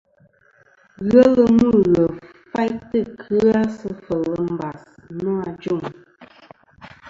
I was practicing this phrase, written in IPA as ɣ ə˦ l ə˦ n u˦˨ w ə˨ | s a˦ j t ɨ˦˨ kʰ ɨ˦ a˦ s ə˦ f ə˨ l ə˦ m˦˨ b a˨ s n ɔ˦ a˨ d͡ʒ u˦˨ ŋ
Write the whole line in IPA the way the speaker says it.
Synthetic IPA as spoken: ɣ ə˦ l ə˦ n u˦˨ ɣ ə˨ | f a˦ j t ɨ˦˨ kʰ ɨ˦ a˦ s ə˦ f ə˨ l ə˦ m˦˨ b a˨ s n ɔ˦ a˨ d͡ʒ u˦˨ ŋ